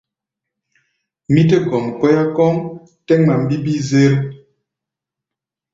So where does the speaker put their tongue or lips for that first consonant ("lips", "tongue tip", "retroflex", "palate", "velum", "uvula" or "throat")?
lips